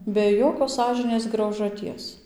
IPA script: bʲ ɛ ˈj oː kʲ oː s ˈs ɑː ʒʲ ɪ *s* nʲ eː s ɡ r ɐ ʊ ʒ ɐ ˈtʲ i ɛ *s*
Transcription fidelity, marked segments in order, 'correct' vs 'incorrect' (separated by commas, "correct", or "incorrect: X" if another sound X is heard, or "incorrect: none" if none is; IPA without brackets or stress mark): incorrect: none, correct